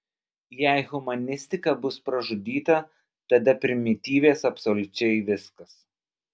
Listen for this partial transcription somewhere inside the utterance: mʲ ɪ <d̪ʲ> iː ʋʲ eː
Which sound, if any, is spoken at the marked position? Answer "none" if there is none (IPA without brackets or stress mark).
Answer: t̪ʲ